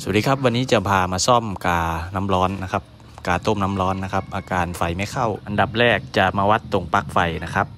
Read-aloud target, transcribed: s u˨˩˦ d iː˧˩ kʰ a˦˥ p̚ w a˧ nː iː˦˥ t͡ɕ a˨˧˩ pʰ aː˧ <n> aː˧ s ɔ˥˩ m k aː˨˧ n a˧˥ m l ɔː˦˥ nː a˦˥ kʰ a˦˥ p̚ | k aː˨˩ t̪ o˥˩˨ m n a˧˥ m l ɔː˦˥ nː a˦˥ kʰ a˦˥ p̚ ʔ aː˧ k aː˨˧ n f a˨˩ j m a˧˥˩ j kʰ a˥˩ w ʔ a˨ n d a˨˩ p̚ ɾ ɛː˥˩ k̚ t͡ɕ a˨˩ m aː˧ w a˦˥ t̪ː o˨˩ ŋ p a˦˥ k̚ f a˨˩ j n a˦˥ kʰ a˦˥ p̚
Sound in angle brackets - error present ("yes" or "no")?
yes